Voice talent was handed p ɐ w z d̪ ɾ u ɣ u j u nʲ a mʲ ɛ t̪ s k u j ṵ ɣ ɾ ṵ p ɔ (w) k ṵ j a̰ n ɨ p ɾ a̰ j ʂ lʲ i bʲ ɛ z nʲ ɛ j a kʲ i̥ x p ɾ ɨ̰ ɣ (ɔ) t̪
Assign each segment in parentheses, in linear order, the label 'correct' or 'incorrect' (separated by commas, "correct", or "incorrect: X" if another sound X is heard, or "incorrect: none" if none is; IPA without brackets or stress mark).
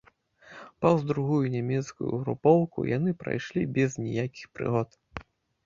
correct, correct